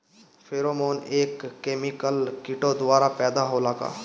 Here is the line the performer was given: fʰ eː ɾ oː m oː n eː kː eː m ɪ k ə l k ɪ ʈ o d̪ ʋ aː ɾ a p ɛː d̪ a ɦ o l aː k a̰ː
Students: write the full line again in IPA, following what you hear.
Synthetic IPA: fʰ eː ɾ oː m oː n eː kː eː m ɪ k ə l k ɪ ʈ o d̪ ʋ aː ɾ a p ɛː d̪ a ɦ o l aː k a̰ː